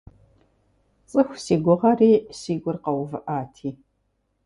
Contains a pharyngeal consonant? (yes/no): no